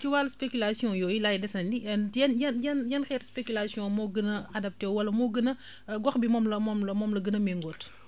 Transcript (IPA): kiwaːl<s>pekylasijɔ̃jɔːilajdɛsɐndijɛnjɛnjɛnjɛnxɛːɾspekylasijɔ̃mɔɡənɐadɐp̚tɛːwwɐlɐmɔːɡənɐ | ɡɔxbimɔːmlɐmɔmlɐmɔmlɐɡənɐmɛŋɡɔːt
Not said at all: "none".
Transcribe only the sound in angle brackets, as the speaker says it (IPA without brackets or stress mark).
s